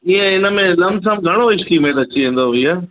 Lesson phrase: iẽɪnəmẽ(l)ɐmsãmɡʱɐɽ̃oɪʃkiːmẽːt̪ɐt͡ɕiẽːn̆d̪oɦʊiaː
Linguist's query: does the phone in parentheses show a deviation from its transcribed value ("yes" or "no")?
no